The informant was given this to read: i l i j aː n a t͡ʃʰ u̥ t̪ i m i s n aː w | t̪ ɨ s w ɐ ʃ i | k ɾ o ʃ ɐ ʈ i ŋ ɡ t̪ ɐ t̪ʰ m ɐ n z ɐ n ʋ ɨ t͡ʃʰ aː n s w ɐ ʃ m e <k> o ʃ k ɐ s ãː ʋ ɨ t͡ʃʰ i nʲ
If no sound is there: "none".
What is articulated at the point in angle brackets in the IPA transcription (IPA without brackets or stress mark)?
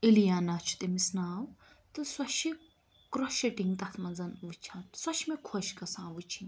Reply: kʰ